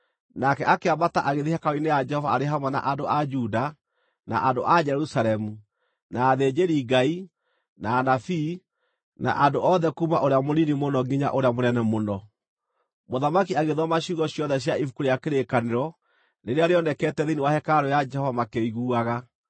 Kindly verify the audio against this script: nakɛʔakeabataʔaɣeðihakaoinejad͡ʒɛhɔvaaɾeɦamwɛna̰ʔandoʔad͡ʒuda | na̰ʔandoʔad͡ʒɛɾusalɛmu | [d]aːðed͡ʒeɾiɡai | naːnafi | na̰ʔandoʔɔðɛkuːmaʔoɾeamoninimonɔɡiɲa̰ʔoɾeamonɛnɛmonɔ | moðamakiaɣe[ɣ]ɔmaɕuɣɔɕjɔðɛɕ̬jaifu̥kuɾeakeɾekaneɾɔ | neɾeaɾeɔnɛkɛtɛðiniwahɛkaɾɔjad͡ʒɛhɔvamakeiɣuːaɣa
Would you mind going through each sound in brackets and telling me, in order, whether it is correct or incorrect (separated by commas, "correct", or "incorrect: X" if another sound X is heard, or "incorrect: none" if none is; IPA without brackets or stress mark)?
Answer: incorrect: n, incorrect: ð